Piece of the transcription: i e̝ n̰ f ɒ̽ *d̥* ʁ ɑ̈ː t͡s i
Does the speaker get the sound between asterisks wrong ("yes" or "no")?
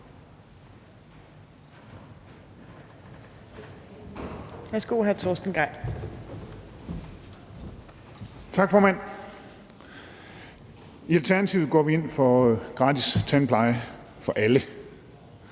yes